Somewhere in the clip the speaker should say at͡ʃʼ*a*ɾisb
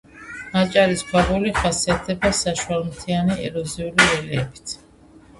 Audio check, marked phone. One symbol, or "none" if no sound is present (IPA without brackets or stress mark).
a